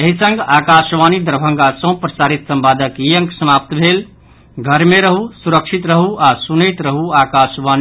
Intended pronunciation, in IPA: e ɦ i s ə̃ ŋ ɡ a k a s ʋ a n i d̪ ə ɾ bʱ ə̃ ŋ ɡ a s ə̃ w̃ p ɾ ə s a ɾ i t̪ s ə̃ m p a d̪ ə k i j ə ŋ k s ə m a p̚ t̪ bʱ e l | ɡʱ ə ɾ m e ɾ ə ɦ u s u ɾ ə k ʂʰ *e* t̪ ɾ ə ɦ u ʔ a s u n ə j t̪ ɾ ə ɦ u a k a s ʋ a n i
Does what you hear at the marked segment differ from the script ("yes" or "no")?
yes